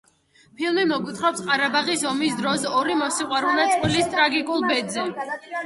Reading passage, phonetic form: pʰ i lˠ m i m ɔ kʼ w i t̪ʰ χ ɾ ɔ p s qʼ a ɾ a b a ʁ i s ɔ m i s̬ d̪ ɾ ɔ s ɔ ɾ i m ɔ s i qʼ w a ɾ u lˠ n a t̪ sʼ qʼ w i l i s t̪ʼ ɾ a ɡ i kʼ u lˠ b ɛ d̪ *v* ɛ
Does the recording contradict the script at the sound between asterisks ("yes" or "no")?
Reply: yes